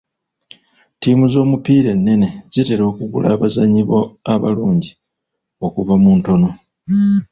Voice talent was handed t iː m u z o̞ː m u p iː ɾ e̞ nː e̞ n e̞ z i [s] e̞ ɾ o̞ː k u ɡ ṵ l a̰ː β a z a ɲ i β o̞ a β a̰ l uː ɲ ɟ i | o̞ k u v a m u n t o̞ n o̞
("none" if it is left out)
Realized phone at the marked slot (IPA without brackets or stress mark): t